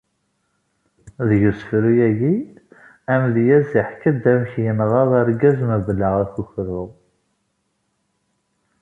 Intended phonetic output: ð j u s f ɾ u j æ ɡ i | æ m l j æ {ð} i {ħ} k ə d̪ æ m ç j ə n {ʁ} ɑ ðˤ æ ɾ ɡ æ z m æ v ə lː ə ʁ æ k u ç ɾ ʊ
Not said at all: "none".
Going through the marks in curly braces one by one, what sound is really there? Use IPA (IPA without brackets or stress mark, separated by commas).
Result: z, ħ, ʁ